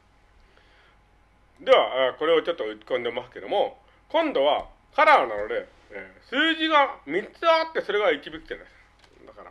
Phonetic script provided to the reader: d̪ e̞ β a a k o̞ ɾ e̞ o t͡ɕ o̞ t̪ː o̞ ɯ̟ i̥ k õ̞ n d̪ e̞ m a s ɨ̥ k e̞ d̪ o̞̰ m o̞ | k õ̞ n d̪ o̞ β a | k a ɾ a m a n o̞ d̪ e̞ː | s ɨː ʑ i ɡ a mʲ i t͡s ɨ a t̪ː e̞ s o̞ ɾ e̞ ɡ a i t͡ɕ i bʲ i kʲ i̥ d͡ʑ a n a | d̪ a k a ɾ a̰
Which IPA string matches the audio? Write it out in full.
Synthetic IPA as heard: d̪ e̞ β a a k o̞ ɾ e̞ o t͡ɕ o̞ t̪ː o̞ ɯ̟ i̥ k õ̞ n d̪ e̞ m a s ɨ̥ k e̞ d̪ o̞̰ m o̞ | k õ̞ n d̪ o̞ β a | k a ɾ a n a n o̞ d̪ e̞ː | s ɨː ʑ i ɡ a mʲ i t͡s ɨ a t̪ː e̞ s o̞ ɾ e̞ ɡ a i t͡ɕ i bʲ i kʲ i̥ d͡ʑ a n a | d̪ a k a ɾ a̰